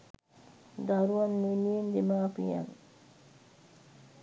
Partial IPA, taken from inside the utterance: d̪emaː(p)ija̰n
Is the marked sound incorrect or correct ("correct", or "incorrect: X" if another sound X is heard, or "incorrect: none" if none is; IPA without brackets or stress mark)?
correct